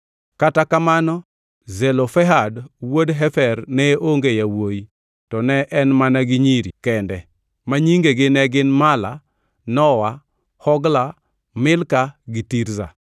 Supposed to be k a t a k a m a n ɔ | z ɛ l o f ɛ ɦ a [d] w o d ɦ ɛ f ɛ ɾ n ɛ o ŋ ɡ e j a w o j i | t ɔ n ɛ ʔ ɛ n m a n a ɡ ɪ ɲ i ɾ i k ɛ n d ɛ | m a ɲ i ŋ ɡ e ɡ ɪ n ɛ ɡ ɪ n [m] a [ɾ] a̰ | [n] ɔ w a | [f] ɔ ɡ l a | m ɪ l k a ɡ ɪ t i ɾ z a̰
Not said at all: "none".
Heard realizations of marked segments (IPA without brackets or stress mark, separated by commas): d, m, l, n, h